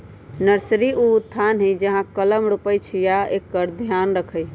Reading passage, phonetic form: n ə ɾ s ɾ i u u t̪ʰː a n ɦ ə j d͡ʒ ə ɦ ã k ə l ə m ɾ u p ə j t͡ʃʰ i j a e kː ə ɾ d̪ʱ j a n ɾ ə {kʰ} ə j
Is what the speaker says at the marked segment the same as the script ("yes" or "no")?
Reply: yes